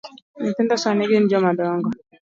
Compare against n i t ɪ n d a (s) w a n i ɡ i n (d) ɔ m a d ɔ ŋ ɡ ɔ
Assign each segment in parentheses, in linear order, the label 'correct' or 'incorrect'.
correct, incorrect: d͡ʒ

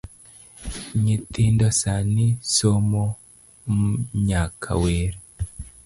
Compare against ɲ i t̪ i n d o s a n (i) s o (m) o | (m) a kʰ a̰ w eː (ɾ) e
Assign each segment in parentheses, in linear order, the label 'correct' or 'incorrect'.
correct, correct, incorrect: ɲ, correct

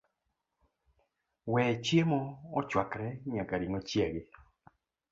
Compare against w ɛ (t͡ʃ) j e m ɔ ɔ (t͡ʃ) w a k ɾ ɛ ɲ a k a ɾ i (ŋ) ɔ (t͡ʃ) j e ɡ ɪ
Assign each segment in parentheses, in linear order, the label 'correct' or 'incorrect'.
correct, correct, correct, correct

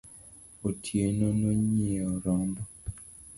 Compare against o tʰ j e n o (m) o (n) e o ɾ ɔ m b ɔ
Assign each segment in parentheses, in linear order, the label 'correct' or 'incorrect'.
incorrect: n, incorrect: ɲ

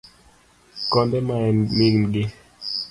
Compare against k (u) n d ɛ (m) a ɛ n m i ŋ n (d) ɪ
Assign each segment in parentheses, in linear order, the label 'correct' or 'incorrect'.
incorrect: ɔ, correct, incorrect: ɡ

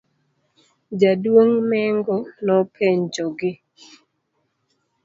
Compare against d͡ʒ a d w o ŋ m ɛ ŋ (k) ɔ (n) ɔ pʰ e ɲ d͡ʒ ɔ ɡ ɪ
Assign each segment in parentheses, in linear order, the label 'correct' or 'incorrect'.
incorrect: ɡ, correct

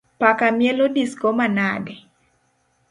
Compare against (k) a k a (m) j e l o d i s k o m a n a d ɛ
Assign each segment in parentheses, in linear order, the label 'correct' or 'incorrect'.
incorrect: p, correct

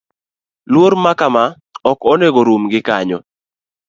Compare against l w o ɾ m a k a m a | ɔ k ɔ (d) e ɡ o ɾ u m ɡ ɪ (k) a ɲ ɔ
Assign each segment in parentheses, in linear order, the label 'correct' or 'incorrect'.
incorrect: n, correct

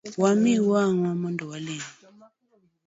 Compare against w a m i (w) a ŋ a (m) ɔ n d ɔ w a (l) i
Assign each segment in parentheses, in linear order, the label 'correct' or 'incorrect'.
correct, correct, correct

